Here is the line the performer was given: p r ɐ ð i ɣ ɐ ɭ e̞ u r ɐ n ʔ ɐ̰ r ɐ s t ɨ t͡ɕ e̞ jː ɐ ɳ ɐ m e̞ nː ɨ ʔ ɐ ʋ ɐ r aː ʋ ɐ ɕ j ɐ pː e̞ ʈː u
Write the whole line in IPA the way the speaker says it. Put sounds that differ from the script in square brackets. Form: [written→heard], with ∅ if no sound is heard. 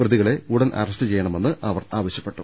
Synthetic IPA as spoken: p r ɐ ð i ɣ ɐ ɭ e̞ u [r→ɽ] ɐ n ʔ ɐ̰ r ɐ s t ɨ t͡ɕ e̞ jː ɐ ɳ ɐ m e̞ nː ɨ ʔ ɐ ʋ ɐ r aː ʋ ɐ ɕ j ɐ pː e̞ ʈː u